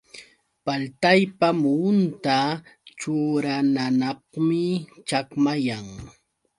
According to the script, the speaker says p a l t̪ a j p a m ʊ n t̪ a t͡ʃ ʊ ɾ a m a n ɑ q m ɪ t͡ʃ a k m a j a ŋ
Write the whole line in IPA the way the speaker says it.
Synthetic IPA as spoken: p a l t̪ a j p a m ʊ n t̪ a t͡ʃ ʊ ɾ a n a n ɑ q m ɪ t͡ʃ a k m a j a ŋ